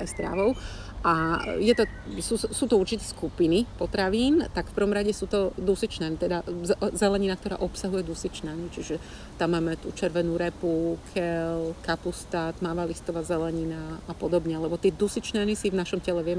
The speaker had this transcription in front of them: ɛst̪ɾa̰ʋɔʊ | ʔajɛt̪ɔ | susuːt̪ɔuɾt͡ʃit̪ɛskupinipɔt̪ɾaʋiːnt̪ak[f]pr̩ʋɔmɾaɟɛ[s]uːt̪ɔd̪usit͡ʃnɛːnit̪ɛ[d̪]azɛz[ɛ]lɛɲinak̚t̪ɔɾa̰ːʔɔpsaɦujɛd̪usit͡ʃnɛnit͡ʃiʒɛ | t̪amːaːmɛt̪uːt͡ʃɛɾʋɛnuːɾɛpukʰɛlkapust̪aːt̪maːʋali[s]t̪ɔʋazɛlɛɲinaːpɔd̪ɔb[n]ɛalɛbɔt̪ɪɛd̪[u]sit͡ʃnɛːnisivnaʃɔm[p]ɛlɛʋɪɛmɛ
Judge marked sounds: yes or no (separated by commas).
yes, yes, yes, yes, yes, no, yes, no